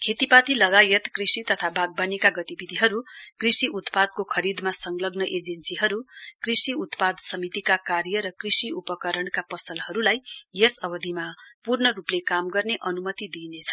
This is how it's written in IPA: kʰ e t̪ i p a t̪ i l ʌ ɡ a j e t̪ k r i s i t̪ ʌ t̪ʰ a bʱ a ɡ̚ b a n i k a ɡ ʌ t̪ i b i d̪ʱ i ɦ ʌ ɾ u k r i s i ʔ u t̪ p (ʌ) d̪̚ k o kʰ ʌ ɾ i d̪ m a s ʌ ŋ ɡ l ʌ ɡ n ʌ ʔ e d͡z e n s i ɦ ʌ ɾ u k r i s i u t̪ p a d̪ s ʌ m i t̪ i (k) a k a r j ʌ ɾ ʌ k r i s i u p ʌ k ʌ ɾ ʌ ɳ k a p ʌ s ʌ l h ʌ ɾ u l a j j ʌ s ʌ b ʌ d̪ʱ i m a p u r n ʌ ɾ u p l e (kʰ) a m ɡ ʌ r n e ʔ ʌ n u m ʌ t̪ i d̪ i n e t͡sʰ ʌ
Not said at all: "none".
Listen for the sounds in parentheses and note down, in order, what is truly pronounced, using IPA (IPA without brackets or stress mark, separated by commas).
a, k, k